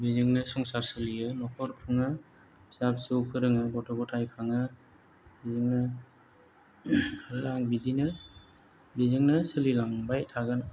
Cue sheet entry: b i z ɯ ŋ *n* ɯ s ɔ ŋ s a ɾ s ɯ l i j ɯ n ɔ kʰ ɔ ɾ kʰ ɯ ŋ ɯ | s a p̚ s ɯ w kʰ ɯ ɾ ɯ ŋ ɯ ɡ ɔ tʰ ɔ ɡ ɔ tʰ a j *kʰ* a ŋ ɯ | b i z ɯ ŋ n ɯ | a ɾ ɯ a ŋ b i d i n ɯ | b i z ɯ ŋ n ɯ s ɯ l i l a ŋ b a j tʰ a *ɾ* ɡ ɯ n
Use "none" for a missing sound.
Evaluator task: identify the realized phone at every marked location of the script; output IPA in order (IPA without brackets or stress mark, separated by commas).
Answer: n, kʰ, none